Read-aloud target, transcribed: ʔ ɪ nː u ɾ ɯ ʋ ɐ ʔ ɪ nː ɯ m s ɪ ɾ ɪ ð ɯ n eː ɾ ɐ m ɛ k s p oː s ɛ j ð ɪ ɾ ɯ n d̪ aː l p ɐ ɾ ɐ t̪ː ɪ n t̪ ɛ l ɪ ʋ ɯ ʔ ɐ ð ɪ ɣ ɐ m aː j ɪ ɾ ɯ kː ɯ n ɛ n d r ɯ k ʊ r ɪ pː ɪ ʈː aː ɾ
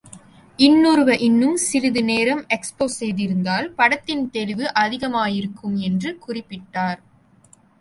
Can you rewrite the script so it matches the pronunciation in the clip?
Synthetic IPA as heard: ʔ ɪ nː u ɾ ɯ ʋ ɐ ʔ ɪ nː ɯ m s ɪ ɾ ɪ ð ɯ n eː ɾ ɐ m ɛ k s p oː s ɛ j ð ɪ ɾ ɯ n d̪ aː l p ɐ ɽ ɐ t̪ː ɪ n t̪ ɛ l ɪ ʋ ɯ ʔ ɐ ð ɪ ɣ ɐ m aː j ɪ ɾ ɯ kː ɯ m ɛ n d r ɯ k ʊ r ɪ pː ɪ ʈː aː ɾ